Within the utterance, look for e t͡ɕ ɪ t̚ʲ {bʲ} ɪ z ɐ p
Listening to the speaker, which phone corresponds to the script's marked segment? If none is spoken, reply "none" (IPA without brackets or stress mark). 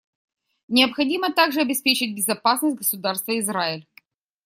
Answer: bʲ